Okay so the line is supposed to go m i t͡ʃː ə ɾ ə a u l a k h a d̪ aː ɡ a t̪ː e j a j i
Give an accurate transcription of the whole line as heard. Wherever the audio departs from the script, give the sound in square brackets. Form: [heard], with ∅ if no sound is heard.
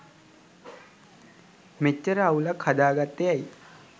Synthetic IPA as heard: m [e] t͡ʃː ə ɾ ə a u l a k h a d̪ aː ɡ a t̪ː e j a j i